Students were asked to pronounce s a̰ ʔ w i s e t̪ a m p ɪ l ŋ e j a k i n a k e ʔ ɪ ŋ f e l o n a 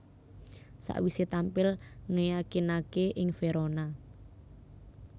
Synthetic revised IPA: s a̰ ʔ w i s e t̪ a m p ɪ l ŋ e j a k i n a k e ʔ ɪ ŋ f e ɾ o n a

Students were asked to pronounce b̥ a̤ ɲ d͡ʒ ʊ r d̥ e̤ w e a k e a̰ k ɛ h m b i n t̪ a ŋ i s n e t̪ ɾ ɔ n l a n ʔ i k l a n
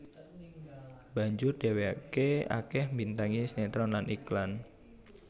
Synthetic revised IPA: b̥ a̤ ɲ d͡ʒ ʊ r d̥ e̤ w e a k e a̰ k ɛ h m b i n t̪ a ŋ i s n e t̪ ɾ ɔ n l a n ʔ i k l a n

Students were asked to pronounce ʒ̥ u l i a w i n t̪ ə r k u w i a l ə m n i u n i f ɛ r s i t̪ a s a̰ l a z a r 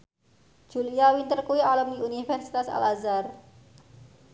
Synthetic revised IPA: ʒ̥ u l i a w i n t̪ ə r k u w i a l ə m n i u n i f ɛ r s i t̪ a s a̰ l a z a r

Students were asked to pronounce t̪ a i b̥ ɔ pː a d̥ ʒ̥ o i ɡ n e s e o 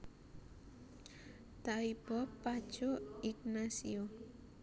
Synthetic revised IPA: t̪ a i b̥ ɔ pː a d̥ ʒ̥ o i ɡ n a s i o

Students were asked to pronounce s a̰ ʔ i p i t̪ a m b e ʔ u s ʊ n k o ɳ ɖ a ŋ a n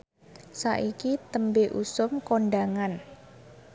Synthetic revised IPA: s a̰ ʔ i k i t̪ ə m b e ʔ u s ʊ m k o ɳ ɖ a ŋ a n

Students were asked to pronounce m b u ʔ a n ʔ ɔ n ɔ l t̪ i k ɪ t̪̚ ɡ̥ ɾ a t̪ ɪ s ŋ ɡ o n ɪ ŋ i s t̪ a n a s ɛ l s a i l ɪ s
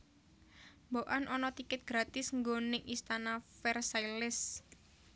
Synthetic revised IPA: m b o ʔ a n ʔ ɔ n ɔ t̪ i k ɪ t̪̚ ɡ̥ ɾ a t̪ ɪ s ŋ ɡ o n ɪ ŋ i s t̪ a n a f ɛ r s a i l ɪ s

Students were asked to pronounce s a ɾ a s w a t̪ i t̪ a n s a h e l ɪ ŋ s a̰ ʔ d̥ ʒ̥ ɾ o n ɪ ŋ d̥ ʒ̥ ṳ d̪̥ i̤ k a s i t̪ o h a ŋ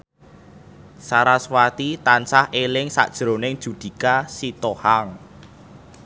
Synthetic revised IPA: s a ɾ a s w a t̪ i t̪ a n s a h e l ɪ ŋ s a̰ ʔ d̥ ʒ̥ ɾ o n ɪ ŋ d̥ ʒ̥ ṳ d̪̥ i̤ k a s i t̪ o h a ŋ

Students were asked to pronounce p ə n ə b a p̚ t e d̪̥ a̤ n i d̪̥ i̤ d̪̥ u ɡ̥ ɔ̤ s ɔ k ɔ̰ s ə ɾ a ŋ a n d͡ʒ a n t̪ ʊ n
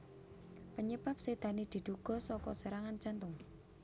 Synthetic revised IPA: p ə ɲ ə b a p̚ s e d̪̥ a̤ n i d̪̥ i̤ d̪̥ u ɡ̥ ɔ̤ s ɔ k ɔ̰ s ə ɾ a ŋ a n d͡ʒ a n t̪ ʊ ŋ

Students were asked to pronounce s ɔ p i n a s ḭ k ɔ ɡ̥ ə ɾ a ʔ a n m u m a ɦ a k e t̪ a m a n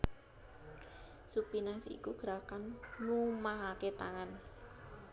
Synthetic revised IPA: s u p i n a s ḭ k u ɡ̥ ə ɾ a k a n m u m a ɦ a k e t̪ a ŋ a n

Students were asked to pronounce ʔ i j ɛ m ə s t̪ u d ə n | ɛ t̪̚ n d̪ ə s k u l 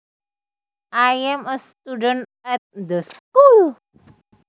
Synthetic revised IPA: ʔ a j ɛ m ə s t̪ u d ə n | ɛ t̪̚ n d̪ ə s k u l

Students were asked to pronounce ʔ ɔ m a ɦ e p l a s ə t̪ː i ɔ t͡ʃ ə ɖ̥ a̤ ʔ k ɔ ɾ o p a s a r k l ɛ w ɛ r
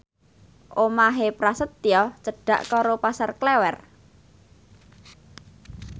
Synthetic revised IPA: ʔ o m a ɦ e p ɾ a s ə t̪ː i ɔ t͡ʃ ə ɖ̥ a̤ ʔ k ɔ ɾ o p a s a r k l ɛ w ɛ r

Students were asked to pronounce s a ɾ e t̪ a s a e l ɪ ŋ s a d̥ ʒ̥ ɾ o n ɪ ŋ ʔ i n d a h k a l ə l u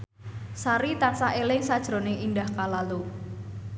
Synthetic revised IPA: s a ɾ i t̪ a s a e l ɪ ŋ s a d̥ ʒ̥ ɾ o n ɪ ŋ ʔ i n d a h k a l a l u

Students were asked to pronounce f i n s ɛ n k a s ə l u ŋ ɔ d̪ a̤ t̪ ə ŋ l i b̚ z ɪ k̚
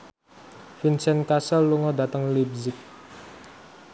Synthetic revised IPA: f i n s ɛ n k a s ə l u ŋ ɔ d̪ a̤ t̪ ə ŋ l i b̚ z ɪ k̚

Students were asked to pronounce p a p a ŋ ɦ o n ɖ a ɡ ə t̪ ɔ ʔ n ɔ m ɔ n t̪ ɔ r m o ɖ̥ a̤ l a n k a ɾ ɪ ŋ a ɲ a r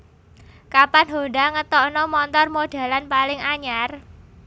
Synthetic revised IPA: k a p a n ɦ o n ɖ a ŋ ə t̪ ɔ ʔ n ɔ m ɔ n t̪ ɔ r m o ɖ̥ a̤ l a n p a l ɪ ŋ a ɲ a r

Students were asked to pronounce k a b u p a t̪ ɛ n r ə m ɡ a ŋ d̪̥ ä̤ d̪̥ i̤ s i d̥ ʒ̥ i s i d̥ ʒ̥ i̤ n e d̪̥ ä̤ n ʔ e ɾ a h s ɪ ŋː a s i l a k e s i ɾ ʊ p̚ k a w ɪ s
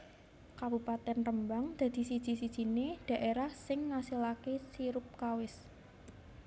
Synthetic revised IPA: k a b u p a t̪ ɛ n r ə m b a ŋ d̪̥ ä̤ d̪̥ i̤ s i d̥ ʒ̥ i s i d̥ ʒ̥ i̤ n e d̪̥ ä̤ ʔ e ɾ a h s ɪ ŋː a s i l a k e s i ɾ ʊ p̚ k a w ɪ s

